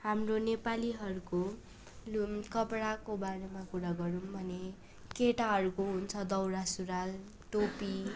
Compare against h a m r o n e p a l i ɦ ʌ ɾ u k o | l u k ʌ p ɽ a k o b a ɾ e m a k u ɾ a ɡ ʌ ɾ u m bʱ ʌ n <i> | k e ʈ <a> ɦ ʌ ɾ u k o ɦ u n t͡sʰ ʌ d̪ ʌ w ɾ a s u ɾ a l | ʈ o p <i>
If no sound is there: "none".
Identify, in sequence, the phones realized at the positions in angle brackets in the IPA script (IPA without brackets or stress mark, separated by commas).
e, a, i